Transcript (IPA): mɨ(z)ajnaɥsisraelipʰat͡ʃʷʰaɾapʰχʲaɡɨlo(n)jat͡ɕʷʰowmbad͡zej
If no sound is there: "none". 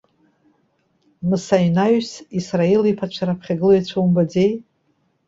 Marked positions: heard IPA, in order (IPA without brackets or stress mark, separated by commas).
s, none